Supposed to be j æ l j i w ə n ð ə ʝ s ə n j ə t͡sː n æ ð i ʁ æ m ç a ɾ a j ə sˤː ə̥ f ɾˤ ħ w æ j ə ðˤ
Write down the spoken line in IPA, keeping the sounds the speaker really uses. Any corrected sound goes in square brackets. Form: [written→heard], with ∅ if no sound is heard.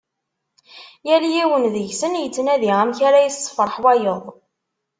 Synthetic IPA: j æ l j i w ə n ð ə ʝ s ə n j ə t͡sː n æ ð i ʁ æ m ç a ɾ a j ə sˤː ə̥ f ɾˤ ħ w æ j ə ðˤ